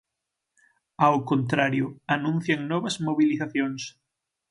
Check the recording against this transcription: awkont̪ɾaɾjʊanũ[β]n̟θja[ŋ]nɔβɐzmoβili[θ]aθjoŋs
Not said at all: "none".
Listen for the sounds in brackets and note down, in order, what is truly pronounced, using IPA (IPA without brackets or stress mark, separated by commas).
none, ŋ, θ